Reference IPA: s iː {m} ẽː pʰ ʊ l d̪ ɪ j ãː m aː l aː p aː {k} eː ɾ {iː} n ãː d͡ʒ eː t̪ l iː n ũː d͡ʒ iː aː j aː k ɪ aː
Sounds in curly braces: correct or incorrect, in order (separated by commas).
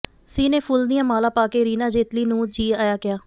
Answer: incorrect, correct, correct